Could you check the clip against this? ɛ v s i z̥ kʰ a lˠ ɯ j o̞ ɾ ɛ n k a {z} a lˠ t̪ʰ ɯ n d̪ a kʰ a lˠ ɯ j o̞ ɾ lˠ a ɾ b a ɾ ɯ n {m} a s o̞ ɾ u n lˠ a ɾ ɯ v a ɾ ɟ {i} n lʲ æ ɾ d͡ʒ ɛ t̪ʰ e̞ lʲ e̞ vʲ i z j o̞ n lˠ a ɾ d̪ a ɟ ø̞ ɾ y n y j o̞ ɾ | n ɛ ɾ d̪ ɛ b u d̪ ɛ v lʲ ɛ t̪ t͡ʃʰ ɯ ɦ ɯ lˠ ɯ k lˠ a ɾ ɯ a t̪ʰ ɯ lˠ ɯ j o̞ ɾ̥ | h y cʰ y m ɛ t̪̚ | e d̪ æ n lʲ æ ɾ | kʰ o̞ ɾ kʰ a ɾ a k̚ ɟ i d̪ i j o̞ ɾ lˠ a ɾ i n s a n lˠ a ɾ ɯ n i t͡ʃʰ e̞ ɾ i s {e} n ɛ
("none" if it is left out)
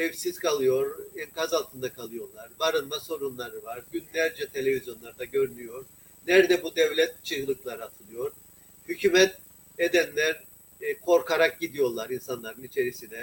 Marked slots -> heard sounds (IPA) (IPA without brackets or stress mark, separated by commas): z, m, y, i